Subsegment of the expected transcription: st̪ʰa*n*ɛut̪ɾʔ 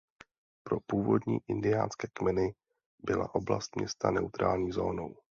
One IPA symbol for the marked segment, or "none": n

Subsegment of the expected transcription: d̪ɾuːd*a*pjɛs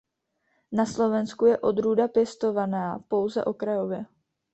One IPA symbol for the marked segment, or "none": a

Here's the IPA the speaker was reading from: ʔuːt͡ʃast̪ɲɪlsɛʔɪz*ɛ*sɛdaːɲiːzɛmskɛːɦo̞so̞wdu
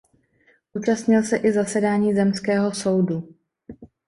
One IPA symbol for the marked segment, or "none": a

